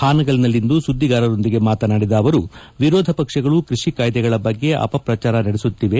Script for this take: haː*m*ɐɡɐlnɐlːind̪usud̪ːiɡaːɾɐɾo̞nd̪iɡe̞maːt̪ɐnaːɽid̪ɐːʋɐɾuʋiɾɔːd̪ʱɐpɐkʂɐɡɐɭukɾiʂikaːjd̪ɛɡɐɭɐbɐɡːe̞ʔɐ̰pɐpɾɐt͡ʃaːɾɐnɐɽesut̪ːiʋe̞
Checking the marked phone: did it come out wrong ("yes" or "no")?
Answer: yes